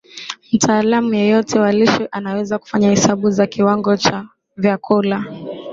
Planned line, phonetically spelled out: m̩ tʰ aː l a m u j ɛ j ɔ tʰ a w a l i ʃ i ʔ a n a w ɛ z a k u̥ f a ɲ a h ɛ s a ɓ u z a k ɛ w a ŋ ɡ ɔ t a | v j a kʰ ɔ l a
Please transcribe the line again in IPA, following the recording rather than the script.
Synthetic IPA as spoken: m̩ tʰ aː l a m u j ɛ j ɔ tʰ ɛ w a l i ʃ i ʔ a n a w ɛ z a k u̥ f a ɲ a h ɛ s a ɓ u z a k i w a ŋ ɡ ɔ t͡ʃ a | v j a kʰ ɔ l a